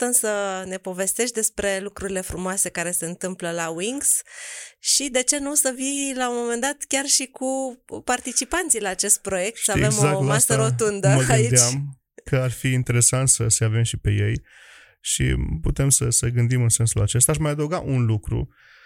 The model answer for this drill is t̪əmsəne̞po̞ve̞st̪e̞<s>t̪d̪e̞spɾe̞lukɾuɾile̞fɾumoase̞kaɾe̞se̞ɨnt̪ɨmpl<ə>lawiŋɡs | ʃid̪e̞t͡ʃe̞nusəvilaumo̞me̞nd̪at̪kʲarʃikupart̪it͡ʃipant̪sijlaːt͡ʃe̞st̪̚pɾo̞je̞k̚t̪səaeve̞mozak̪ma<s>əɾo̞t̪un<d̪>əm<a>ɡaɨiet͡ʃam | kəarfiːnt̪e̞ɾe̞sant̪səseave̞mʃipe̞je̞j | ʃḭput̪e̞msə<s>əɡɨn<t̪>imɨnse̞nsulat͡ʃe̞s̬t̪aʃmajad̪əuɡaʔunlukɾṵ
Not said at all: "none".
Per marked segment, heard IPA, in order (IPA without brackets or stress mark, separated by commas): ʃ, ə, s, d̪, ə, s, d̪